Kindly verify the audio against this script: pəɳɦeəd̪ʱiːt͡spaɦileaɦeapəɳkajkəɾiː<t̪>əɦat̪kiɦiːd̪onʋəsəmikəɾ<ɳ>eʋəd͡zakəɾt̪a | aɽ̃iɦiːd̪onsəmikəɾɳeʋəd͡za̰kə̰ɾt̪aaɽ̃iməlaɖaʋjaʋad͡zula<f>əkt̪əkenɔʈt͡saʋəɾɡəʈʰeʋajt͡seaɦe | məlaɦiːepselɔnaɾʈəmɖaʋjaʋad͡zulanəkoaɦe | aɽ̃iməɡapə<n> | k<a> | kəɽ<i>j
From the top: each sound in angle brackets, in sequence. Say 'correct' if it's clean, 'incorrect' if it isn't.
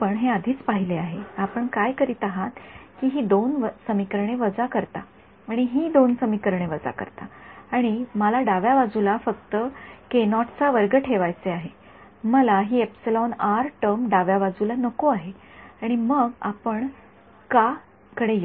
correct, correct, correct, incorrect: ɳ, correct, incorrect: e

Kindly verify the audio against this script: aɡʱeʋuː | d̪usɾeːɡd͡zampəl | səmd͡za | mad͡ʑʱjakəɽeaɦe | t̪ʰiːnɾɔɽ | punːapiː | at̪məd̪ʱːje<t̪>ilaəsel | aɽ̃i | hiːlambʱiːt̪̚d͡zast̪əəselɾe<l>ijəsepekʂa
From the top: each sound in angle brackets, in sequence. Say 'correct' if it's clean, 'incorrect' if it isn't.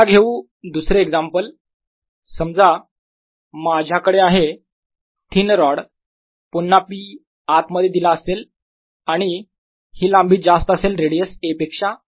incorrect: d̪, incorrect: ɽ

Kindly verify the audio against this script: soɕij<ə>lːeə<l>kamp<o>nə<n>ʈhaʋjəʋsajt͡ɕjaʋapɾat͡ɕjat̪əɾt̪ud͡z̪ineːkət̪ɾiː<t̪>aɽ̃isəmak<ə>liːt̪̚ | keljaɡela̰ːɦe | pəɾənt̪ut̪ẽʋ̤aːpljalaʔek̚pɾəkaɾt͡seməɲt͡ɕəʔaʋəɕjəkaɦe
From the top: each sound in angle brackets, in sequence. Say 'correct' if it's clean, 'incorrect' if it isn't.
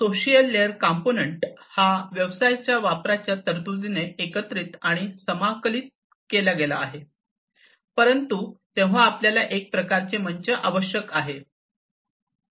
correct, incorrect: ɾ, correct, incorrect: ɳ, correct, correct

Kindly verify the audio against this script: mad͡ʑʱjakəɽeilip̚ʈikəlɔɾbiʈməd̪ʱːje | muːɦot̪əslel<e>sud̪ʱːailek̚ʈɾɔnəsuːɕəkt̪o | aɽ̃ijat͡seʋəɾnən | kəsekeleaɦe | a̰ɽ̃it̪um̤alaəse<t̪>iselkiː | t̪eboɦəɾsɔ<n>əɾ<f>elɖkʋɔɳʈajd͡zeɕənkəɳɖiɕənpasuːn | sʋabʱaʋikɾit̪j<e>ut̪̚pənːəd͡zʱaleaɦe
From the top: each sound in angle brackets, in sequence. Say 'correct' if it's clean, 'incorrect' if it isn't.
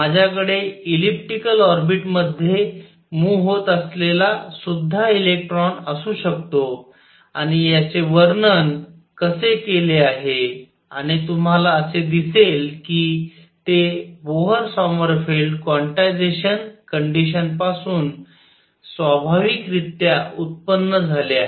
incorrect: a, incorrect: d̪, incorrect: m, correct, incorrect: a

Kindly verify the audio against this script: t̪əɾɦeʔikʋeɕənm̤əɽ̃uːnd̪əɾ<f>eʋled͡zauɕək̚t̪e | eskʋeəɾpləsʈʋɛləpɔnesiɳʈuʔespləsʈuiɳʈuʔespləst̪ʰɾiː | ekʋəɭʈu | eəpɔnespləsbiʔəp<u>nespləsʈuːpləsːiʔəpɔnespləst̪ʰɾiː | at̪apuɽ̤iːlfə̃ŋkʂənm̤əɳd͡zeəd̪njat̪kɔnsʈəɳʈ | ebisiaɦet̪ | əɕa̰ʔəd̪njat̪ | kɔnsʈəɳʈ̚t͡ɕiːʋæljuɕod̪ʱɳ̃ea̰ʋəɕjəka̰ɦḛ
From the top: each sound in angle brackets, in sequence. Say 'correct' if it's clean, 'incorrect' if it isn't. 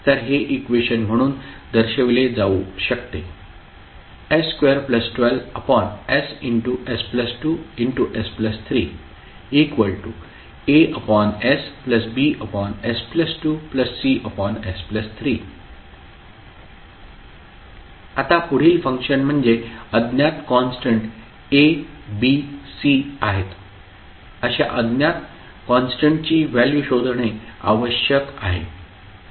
incorrect: ɕ, incorrect: ɔ

